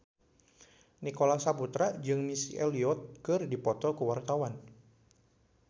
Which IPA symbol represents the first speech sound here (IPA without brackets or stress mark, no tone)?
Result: n